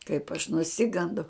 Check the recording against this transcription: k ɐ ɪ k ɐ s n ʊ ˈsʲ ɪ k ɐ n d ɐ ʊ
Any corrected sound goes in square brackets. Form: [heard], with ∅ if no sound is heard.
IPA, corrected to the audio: k ɐ ɪ [p] ɐ [ʃ] n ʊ ˈsʲ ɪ [ɡ] ɐ n d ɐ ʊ